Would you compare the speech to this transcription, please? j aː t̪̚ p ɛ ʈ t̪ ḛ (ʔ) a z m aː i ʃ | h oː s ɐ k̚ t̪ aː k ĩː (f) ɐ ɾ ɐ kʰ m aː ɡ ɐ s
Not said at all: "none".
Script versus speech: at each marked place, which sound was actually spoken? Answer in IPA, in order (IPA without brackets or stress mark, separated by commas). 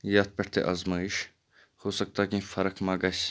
ʔ, f